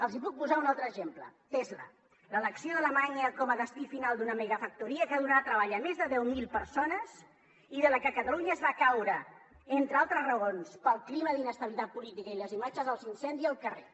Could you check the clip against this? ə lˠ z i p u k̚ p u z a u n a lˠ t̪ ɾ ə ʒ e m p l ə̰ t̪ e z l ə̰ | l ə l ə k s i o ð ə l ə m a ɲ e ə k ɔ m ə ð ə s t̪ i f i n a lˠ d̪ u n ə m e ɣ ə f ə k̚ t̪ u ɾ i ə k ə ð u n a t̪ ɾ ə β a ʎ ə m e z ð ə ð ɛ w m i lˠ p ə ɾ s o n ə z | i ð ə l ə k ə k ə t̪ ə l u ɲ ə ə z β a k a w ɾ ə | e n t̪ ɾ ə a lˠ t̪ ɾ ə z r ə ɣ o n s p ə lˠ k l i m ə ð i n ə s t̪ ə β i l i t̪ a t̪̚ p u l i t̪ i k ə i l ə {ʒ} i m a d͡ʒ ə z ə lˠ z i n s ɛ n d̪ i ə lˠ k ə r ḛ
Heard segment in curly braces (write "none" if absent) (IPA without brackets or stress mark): z